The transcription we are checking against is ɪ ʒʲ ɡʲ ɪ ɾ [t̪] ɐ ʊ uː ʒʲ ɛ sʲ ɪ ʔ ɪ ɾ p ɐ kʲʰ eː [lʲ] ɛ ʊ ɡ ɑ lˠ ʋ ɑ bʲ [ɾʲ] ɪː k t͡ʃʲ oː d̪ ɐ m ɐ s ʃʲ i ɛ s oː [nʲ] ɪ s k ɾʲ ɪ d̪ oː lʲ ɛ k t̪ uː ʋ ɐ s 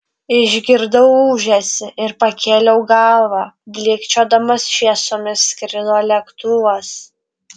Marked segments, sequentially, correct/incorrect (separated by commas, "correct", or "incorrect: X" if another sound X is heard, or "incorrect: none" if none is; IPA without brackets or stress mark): incorrect: d̪, correct, incorrect: lʲ, incorrect: mʲ